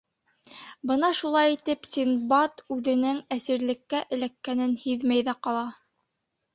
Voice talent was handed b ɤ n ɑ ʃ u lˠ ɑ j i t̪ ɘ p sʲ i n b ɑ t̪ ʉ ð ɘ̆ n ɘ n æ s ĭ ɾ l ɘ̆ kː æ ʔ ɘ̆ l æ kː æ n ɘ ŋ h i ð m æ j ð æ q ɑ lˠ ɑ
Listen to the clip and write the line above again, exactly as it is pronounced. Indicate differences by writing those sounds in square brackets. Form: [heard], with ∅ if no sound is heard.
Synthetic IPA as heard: b ɤ n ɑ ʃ u lˠ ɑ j i t̪ ɘ p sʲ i n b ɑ t̪ ʉ ð ɘ̆ n ɘ [ŋ] æ s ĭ ɾ l ɘ̆ kː æ ʔ ɘ̆ l æ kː æ n ɘ [n] h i ð m æ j ð æ q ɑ lˠ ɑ